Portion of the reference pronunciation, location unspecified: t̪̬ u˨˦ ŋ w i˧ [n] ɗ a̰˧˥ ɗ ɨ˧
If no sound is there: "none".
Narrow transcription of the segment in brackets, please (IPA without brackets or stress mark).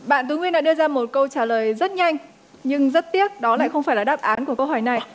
n